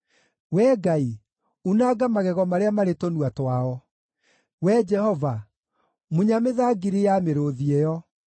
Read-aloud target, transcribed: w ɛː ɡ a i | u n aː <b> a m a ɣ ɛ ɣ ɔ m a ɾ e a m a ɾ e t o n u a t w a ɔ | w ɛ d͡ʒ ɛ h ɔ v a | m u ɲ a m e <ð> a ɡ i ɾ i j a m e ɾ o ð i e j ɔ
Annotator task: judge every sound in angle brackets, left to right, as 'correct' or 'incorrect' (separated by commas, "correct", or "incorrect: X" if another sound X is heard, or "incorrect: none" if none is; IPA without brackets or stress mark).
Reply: incorrect: ɡ, correct